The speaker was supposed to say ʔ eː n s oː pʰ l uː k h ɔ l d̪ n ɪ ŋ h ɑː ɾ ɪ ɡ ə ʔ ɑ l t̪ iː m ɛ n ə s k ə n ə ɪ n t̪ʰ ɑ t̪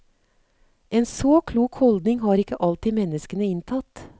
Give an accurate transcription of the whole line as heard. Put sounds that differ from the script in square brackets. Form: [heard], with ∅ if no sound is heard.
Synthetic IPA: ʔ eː n s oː [kʰ] l uː k h ɔ l d̪ n ɪ ŋ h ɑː ɾ ɪ [k] ə ʔ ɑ l t̪ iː m ɛ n ə s k ə n ə ɪ n t̪ʰ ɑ t̪